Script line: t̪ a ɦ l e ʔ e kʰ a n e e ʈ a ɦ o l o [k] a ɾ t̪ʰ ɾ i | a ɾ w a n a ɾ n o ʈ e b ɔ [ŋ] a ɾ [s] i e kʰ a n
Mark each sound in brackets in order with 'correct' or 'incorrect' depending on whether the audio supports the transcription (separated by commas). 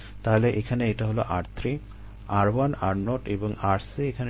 incorrect, correct, correct